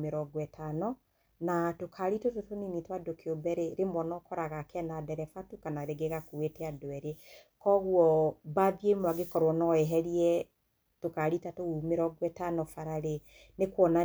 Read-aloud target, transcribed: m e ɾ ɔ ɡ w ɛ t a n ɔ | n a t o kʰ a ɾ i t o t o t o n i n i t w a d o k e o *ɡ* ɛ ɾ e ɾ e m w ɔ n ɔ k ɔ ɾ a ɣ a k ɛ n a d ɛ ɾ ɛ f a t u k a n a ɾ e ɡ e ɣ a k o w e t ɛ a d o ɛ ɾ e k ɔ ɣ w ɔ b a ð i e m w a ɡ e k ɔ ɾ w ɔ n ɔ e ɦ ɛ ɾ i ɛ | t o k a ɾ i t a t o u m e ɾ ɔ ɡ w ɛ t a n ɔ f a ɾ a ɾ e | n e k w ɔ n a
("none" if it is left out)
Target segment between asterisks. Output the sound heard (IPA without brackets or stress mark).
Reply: b